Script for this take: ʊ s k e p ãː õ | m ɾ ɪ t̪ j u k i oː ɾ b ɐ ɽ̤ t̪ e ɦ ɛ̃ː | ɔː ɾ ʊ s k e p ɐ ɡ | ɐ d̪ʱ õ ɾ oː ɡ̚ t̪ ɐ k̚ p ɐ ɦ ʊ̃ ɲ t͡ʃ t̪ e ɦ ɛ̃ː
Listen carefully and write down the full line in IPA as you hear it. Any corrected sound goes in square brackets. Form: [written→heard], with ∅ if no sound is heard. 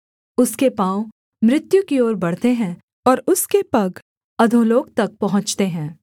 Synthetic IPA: ʊ s k e p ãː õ | m ɾ ɪ t̪ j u k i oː ɾ b ɐ ɽ̤ t̪ e ɦ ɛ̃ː | ɔː ɾ ʊ s k e p ɐ ɡ | ɐ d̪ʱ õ [ɾ→l] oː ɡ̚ t̪ ɐ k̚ p ɐ ɦ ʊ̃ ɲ t͡ʃ t̪ e ɦ ɛ̃ː

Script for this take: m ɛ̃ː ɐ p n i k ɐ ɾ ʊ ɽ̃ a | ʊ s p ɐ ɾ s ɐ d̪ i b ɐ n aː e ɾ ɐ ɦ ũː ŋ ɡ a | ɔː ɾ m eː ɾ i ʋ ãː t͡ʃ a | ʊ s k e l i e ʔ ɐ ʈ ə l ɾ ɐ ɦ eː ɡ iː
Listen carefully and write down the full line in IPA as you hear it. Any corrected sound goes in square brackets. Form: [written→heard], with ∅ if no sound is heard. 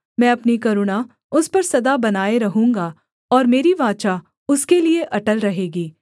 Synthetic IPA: m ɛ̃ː ɐ p n i k ɐ ɾ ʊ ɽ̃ a | ʊ s p ɐ ɾ s ɐ d̪ [i→a] b ɐ n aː e ɾ ɐ ɦ ũː ŋ ɡ a | ɔː ɾ m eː ɾ i ʋ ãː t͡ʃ a | ʊ s k e l i e ʔ ɐ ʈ ə l ɾ ɐ ɦ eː ɡ iː

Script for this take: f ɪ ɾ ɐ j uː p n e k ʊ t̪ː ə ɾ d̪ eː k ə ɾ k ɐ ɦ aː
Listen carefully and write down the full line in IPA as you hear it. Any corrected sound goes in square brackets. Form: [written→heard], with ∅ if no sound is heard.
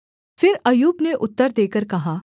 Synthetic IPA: f ɪ ɾ ɐ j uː [p→b] n e [k→ʔ] ʊ t̪ː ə ɾ d̪ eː k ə ɾ k ɐ ɦ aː

